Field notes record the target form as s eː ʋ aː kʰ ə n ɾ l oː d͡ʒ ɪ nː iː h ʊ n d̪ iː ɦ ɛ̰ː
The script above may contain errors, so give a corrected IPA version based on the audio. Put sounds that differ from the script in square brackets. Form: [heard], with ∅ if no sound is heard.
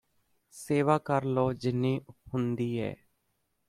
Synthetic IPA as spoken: s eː ʋ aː [k] ə [∅] ɾ l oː d͡ʒ ɪ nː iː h ʊ n d̪ iː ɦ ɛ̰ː

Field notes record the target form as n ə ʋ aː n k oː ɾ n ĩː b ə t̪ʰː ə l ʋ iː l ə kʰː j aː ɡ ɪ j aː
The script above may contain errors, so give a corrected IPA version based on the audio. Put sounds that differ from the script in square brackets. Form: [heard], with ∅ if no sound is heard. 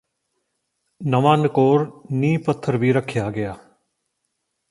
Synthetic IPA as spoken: n ə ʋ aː n k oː ɾ n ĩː [p] ə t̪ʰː ə [ɾ] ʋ iː [ɾ] ə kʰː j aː ɡ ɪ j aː

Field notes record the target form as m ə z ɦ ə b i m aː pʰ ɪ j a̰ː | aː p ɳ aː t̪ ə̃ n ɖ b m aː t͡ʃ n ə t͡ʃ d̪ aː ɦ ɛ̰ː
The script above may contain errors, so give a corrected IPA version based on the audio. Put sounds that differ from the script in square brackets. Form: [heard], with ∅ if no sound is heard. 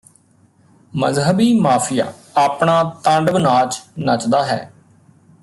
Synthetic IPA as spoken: m ə z ɦ ə b [iː] m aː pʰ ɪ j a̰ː | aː p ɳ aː t̪ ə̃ [ɳ] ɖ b [n] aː t͡ʃ n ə t͡ʃ d̪ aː ɦ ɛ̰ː

